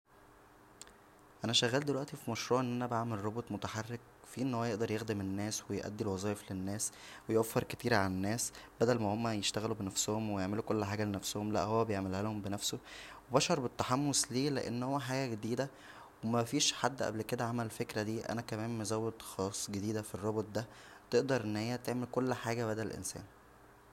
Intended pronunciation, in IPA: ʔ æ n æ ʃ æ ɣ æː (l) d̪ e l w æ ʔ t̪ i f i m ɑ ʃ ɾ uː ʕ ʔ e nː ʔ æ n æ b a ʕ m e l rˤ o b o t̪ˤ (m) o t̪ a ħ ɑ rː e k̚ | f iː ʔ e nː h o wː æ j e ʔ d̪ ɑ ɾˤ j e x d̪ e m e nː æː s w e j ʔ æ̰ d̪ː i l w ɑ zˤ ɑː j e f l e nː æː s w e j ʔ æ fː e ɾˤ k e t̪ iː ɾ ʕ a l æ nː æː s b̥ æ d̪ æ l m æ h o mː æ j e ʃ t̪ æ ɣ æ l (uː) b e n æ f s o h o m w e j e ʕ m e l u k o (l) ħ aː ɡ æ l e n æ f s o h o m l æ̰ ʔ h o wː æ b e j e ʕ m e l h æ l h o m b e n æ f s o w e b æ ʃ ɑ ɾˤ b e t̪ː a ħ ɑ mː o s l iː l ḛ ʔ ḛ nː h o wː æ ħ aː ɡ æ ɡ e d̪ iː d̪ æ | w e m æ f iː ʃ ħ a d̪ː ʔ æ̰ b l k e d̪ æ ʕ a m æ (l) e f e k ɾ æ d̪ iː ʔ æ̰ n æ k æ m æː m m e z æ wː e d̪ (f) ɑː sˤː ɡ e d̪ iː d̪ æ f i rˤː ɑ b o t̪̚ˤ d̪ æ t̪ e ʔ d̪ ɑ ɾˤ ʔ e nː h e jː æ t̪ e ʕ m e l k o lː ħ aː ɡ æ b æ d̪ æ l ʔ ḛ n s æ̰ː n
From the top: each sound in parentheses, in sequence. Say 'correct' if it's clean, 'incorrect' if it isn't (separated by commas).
correct, correct, incorrect, incorrect, correct, incorrect